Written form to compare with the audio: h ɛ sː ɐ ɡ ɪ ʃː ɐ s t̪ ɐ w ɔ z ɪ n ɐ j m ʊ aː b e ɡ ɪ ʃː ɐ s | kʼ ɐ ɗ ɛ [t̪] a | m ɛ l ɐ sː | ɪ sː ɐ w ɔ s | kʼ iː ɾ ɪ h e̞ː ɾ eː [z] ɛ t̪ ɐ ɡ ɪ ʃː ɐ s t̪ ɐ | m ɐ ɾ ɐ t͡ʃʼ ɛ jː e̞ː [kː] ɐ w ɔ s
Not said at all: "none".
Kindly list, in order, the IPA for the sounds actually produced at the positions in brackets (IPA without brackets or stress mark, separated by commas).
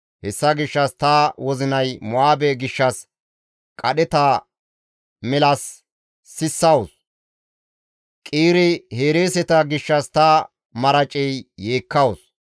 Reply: t̪, s, kː